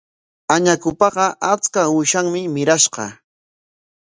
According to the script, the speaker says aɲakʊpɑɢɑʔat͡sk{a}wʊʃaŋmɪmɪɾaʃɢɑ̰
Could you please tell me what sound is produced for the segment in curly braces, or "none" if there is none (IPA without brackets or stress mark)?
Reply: a